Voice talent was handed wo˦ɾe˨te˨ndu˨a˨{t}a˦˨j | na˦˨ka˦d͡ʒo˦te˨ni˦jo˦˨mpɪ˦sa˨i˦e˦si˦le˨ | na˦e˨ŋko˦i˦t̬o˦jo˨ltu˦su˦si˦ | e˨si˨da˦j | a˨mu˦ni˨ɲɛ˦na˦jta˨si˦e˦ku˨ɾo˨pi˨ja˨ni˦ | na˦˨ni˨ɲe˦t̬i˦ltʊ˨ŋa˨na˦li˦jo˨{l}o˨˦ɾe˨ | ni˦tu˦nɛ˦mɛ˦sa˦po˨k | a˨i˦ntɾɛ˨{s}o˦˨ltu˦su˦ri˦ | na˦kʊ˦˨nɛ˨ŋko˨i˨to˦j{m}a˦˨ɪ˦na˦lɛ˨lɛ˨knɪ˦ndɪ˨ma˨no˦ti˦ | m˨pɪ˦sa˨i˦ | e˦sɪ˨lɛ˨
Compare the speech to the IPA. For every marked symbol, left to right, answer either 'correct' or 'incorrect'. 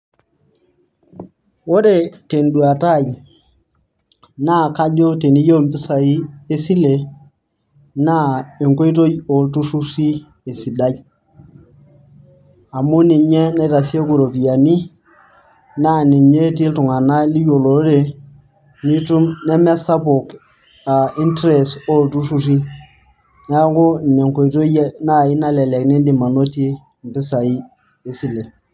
correct, correct, correct, incorrect

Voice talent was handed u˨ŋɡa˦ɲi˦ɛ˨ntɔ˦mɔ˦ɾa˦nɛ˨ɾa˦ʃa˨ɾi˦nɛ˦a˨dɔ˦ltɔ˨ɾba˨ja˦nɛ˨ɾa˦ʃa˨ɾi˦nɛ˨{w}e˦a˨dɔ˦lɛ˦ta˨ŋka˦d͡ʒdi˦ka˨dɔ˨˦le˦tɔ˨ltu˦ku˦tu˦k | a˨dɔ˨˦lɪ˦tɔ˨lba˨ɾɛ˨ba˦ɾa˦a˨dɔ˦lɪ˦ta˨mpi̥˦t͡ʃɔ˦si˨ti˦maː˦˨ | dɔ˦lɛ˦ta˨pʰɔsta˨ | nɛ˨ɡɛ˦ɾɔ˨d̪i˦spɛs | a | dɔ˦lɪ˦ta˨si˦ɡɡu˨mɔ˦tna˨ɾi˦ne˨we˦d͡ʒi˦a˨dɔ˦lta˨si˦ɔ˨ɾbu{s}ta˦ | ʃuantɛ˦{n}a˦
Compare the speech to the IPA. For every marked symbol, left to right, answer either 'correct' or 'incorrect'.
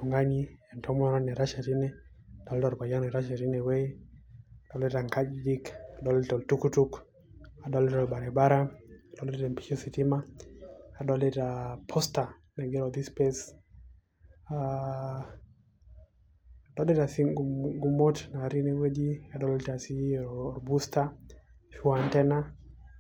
correct, correct, correct

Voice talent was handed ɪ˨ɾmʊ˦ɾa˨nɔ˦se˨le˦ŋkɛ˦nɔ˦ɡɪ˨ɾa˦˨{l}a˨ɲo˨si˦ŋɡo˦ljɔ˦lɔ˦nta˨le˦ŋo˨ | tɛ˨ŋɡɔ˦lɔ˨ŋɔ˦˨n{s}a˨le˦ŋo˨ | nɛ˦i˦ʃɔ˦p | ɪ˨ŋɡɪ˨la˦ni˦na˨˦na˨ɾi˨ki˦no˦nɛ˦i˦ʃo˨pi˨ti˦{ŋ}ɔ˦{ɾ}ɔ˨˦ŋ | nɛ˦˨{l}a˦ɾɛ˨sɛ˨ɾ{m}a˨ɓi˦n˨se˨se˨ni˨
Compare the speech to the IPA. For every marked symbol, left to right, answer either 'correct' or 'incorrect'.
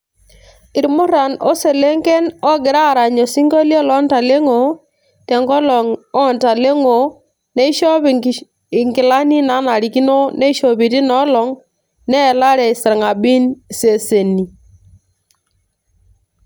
incorrect, incorrect, incorrect, incorrect, correct, incorrect

